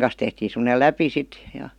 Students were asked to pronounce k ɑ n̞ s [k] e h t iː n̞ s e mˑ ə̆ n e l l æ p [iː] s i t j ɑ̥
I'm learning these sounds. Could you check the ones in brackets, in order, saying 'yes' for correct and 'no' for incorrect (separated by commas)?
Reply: no, no